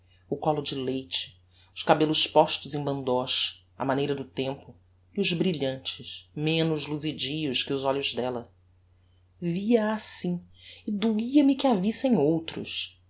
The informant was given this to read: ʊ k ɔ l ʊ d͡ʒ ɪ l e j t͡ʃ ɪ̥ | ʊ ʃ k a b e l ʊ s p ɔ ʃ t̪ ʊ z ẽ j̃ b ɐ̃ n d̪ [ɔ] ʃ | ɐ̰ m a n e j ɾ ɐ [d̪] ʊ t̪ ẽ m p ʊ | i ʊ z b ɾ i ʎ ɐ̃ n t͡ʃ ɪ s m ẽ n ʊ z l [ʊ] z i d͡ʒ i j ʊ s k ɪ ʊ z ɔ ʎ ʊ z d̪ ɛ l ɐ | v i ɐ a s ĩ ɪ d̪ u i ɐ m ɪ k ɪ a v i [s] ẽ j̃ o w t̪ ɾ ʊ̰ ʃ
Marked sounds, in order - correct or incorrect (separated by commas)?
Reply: correct, correct, incorrect, correct